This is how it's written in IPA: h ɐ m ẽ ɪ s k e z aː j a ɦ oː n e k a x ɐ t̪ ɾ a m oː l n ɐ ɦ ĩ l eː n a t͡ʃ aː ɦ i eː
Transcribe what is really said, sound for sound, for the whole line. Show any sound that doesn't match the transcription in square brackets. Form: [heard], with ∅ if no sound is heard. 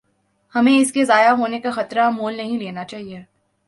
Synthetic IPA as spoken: h ɐ m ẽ ɪ s k e z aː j a ɦ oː n e k a x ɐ t̪ ɾ a m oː l n ɐ ɦ ĩ l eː n a t͡ʃ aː ɦ i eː